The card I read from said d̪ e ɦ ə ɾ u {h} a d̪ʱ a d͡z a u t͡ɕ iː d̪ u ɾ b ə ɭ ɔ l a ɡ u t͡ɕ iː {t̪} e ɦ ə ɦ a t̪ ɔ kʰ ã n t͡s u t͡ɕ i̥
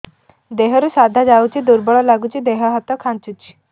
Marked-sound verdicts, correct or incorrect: incorrect, incorrect

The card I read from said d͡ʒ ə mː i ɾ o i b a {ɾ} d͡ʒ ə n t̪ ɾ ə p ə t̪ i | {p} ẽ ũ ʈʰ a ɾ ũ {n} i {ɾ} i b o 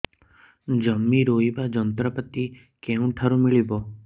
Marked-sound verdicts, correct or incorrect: incorrect, incorrect, incorrect, incorrect

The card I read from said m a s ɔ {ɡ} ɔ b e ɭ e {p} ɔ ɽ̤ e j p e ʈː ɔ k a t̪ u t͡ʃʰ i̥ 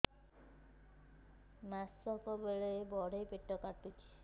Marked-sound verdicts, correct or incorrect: incorrect, incorrect

